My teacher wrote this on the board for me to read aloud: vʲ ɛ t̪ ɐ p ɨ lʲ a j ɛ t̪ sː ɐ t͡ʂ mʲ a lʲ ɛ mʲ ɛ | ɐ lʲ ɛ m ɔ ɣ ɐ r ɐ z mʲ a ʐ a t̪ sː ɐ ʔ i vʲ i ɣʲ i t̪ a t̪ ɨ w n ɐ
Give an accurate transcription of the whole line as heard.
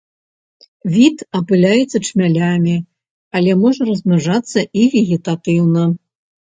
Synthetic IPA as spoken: vʲ i t̪ ɐ p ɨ lʲ a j ɛ t̪ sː ɐ t͡ʂ mʲ a lʲ a mʲ i | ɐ lʲ ɛ m ɔ ʐ ɐ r ɐ z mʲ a ʐ a t̪ sː ɐ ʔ i vʲ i ɣʲ i t̪ a t̪ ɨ w n ɐ